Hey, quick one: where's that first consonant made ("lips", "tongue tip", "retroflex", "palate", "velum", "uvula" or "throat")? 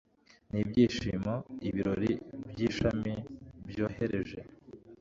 tongue tip